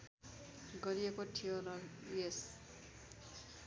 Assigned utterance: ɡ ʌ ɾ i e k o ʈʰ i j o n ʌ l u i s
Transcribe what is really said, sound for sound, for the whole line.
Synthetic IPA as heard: ɡ ʌ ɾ i e k o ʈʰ i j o n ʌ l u e s

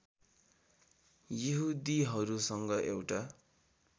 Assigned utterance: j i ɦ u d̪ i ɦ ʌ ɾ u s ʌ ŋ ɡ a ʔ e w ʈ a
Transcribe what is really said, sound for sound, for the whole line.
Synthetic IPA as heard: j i ɦ u d̪ i ɦ ʌ ɾ u s ʌ ŋ ɡ ʌ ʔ e w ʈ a

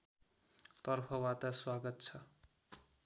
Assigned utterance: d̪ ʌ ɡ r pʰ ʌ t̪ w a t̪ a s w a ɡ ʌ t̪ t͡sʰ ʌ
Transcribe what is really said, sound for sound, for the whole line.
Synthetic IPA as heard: t̪ ʌ r pʰ ʌ w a t̪ a s w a ɡ ʌ t̪ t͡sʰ ʌ

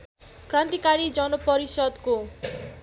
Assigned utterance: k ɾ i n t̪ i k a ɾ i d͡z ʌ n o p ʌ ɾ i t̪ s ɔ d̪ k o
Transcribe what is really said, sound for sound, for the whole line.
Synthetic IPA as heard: k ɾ a n t̪ i k a ɾ i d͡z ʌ n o p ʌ ɾ i s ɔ d̪ k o

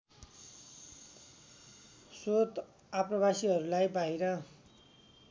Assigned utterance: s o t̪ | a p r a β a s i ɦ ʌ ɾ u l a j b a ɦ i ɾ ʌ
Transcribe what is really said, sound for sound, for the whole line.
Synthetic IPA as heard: s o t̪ | a p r ʌ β a s i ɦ ʌ ɾ u l a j b a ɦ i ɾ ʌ

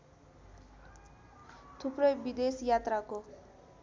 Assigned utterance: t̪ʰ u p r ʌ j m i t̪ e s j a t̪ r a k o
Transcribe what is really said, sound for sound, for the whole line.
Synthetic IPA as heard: t̪ʰ u p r ʌ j b i d̪ e s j a t̪ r a k o

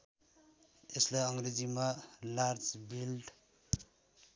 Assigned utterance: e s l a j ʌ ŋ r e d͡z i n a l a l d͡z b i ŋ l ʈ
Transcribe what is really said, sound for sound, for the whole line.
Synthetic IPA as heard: e s l a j ʌ ŋ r e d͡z i m a l a r d͡z b i l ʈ

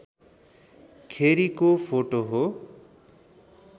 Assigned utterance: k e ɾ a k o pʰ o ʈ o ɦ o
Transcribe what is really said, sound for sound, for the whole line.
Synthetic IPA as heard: kʰ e ɾ i k o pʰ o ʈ o ɦ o

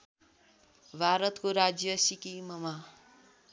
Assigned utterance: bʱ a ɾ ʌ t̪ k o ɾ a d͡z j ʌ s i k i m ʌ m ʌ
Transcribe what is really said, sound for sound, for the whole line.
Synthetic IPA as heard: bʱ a ɾ ʌ t̪ k o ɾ a d͡z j ʌ s i k i m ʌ m a

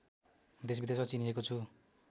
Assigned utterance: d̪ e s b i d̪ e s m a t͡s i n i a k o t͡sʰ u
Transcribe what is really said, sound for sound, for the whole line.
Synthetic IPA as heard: d̪ e s b i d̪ e s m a t͡s i n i e k o t͡sʰ u

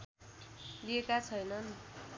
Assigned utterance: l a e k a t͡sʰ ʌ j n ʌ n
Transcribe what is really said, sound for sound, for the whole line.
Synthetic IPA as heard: l i e k a t͡sʰ ʌ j n ʌ n

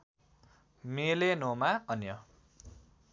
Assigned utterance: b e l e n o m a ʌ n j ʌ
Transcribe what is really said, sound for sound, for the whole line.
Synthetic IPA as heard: m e l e n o m a ʌ n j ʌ

